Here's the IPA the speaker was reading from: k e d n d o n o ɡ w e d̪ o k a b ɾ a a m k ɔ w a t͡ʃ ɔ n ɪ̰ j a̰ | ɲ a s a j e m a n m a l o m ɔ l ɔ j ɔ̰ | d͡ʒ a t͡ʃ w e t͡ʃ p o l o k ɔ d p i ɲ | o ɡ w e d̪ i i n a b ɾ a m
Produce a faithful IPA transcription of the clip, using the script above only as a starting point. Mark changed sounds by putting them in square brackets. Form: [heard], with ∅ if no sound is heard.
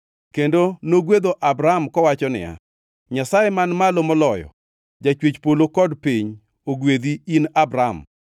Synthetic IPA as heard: k e [∅] n d o n o ɡ w e d̪ o [ʔ] a b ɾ a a m k ɔ w a t͡ʃ ɔ n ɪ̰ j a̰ | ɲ a s a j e m a n m a l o m ɔ l ɔ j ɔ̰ | d͡ʒ a t͡ʃ w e t͡ʃ p o l o k ɔ d p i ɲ | o ɡ w e d̪ i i n a b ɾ a m

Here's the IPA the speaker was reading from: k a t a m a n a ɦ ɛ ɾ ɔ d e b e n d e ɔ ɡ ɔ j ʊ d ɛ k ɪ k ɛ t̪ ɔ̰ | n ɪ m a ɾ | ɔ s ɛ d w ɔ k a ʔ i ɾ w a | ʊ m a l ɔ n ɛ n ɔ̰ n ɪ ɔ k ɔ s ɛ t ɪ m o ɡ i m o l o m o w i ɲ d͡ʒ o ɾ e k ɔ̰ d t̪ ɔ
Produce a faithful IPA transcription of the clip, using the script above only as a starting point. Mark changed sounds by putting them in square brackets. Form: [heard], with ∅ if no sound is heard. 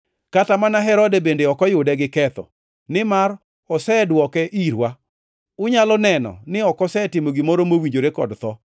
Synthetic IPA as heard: k a t a m a n a ɦ ɛ ɾ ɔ d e b e n d e ɔ [k] ɔ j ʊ d ɛ [ɡ] ɪ k ɛ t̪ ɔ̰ | n ɪ m a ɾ | ɔ s ɛ d w ɔ k [ɛ] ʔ i ɾ w a | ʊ [ɲ] a l ɔ n ɛ n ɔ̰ n ɪ ɔ k ɔ s ɛ t ɪ m o ɡ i m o [ɾ] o m o w i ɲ d͡ʒ o ɾ e k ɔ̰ d t̪ ɔ

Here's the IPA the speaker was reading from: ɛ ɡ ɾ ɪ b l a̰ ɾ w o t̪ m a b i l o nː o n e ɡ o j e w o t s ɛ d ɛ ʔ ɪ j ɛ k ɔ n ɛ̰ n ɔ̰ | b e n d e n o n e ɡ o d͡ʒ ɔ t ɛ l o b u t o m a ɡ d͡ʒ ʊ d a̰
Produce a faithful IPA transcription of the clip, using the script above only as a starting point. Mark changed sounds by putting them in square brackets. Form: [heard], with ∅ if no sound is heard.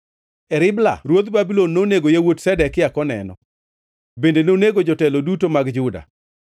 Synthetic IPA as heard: ɛ [∅] ɾ ɪ b l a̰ ɾ w o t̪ [b] a b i l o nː o n e ɡ o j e w o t s ɛ d ɛ [k] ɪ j [a] k ɔ n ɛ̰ n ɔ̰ | b e n d e n o n e ɡ o d͡ʒ ɔ t ɛ l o [d] u t o m a ɡ d͡ʒ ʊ d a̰

